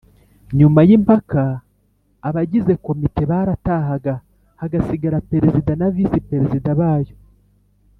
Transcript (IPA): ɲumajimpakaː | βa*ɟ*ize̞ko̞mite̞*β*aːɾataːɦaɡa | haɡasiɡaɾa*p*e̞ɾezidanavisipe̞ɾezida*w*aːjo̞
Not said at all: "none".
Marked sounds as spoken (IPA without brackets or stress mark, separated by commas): ɟ, β, p, β